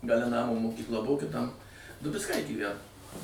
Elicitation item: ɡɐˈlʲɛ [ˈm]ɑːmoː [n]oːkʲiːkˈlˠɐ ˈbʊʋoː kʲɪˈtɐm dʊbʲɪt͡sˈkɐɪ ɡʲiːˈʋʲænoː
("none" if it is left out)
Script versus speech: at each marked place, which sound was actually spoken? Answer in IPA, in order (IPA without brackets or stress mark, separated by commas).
n, m